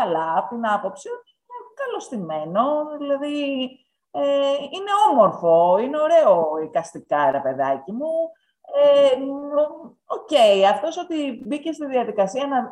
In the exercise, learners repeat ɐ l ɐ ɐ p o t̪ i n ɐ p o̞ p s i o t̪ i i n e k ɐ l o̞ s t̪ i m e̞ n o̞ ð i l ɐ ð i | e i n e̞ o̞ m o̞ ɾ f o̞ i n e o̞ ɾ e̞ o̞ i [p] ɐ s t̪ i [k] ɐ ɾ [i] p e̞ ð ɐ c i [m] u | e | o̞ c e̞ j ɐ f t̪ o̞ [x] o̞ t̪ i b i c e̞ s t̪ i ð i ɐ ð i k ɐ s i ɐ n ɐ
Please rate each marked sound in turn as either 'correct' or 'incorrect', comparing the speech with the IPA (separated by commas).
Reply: incorrect, correct, incorrect, correct, incorrect